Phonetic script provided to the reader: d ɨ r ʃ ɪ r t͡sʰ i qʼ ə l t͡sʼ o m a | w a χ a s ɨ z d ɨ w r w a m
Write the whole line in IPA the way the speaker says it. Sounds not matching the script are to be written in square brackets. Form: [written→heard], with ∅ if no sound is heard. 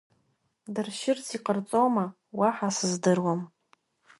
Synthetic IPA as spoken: d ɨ r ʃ ɪ r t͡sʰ i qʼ ə [l→r] t͡sʼ o m a | w a [χ→ħ] a s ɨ z d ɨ [w→∅] r w a m